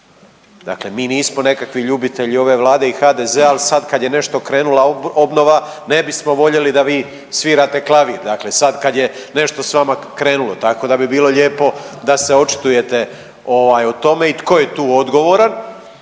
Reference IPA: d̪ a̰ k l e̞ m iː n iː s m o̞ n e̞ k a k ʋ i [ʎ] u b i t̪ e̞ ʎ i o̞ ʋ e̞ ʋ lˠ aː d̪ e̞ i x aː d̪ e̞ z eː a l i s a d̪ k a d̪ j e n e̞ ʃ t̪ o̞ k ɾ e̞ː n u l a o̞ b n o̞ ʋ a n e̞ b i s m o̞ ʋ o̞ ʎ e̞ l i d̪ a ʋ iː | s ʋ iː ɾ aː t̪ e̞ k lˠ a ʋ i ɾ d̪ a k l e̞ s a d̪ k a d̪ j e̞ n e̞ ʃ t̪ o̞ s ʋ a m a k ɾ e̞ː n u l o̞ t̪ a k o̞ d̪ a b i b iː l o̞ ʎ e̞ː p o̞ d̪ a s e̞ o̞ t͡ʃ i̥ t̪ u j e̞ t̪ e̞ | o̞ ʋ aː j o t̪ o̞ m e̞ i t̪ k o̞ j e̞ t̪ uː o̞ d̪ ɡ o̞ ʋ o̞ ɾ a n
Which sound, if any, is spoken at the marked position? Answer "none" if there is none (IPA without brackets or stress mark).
ʎ